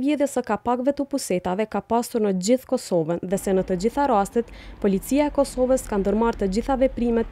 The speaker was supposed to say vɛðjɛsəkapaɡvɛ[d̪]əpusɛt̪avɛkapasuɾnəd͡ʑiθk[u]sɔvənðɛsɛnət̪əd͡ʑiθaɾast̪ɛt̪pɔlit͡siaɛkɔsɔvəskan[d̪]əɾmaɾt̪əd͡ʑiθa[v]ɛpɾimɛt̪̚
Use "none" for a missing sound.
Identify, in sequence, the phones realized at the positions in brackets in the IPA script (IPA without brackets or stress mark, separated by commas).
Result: t̪, ɔ, d̪, v